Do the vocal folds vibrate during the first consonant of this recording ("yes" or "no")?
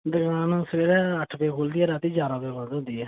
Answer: yes